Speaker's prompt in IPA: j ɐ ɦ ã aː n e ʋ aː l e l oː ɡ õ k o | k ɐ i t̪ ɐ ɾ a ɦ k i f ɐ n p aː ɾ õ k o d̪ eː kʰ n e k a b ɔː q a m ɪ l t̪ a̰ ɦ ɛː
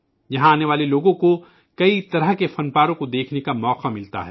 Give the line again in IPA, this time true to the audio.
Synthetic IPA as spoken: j ɐ ɦ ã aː n e ʋ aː l e l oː ɡ õ k o | k ɐ i t̪ ɐ ɾ ə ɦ k e f ɐ n p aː ɾ õ k o d̪ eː kʰ n e k a m ɔː q a m ɪ l t̪ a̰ ɦ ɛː